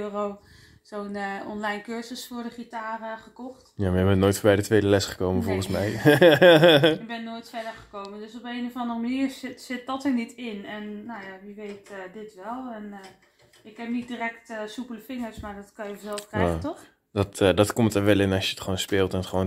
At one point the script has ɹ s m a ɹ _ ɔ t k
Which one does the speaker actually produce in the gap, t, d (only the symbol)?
d